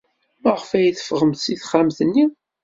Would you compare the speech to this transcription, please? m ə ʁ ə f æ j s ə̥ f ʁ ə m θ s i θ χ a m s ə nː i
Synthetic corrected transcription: m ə ʁ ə f æ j θ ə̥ f ʁ ə m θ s i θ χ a m θ ə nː i